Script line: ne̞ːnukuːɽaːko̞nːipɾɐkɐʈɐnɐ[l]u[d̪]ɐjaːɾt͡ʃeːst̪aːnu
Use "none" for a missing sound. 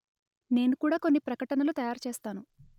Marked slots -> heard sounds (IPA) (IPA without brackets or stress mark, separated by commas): l, t̪